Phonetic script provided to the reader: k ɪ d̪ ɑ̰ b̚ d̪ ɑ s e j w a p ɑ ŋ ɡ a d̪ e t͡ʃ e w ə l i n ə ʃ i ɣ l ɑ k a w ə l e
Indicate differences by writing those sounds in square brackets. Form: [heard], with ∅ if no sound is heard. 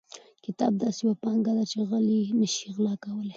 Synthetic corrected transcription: k ɪ [t̪] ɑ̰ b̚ d̪ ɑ s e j w a p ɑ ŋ ɡ a d̪ [a] t͡ʃ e [ɣ] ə l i n ə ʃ i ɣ l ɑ k a w ə l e